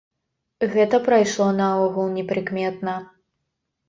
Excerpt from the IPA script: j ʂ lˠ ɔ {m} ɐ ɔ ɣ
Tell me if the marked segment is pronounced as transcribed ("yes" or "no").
no